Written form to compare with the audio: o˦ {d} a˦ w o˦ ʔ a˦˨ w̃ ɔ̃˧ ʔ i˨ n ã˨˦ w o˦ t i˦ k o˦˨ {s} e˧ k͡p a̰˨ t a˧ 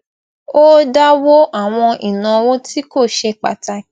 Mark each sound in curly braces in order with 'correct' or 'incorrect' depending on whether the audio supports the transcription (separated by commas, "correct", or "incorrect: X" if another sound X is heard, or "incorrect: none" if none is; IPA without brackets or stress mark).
correct, incorrect: ʃ